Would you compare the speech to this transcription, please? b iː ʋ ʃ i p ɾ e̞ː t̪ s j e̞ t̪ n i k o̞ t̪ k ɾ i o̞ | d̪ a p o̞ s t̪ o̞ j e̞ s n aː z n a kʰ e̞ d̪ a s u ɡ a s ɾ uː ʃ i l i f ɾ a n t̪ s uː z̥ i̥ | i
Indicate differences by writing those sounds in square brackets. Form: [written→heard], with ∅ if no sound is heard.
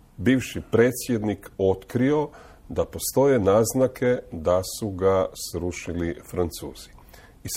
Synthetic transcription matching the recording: b iː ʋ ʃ i p ɾ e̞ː t̪ s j e̞ [t̪→d̪] n i k o̞ t̪ k ɾ i o̞ | d̪ a p o̞ s t̪ o̞ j e̞ [s→∅] n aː z n a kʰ e̞ d̪ a s u ɡ a s ɾ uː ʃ i l i f ɾ a n t̪ s uː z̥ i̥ | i